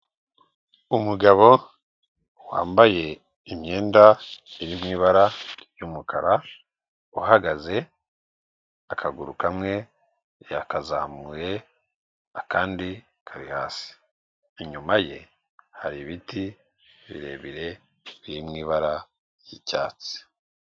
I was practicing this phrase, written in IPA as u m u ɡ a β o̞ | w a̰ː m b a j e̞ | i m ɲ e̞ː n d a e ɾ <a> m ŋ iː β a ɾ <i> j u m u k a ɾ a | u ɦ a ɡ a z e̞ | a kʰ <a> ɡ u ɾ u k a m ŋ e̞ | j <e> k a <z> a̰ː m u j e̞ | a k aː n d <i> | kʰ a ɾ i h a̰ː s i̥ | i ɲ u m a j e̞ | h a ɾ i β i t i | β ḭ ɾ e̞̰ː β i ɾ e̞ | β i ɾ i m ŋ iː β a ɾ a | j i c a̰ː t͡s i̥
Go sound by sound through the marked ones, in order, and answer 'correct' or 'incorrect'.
incorrect: i, incorrect: a, correct, incorrect: a, correct, correct

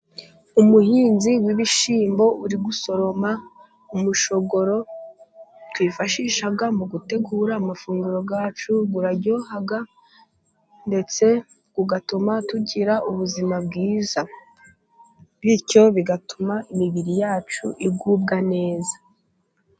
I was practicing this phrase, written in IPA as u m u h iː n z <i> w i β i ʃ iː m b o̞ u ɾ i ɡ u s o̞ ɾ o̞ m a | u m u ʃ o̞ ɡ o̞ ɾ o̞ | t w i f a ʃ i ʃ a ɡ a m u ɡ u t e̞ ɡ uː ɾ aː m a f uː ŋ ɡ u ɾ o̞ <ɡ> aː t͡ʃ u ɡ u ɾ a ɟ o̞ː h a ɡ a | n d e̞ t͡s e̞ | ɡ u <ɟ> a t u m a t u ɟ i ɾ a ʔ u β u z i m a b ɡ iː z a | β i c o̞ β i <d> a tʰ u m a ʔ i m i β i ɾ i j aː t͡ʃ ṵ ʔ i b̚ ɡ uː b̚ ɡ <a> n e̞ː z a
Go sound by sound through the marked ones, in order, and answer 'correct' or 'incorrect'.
correct, correct, incorrect: ɡ, incorrect: ɡ, correct

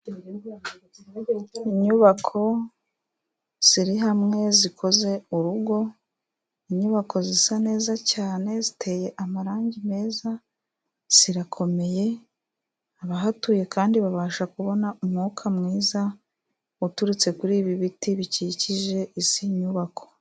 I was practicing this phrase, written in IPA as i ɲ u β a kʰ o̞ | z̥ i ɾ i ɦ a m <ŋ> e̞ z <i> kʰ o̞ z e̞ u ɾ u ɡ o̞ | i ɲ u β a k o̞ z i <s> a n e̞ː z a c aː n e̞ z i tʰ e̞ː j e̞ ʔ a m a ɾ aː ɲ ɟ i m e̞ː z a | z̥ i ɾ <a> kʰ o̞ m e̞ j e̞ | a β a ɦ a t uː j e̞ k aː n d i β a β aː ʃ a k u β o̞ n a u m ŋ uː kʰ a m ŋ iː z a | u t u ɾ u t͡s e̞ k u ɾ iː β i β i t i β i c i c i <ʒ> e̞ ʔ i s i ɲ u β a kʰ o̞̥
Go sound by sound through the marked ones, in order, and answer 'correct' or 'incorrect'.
correct, correct, correct, correct, correct

